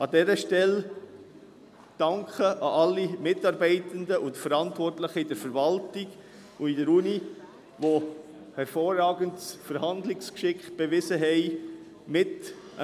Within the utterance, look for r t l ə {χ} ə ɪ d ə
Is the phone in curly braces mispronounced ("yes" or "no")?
no